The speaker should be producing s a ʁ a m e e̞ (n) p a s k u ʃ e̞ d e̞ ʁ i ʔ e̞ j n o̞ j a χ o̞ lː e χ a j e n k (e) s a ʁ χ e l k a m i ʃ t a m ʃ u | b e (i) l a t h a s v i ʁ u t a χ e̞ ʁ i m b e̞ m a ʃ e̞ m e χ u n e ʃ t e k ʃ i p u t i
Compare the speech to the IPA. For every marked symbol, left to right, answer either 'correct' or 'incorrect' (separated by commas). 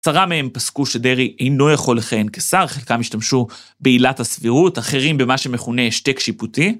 incorrect, correct, correct